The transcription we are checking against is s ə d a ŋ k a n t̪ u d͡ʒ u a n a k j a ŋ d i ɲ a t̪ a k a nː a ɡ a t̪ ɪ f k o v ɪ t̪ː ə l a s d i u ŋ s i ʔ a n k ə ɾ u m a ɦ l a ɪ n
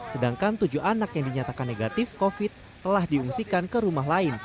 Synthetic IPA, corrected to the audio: s ə d a ŋ k a n t̪ u d͡ʒ u a n a k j a ŋ d i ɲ a t̪ a k a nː e ɡ a t̪ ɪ f k o f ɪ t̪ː ə l a h d i u ŋ s i k a n k ə ɾ u m a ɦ l a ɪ n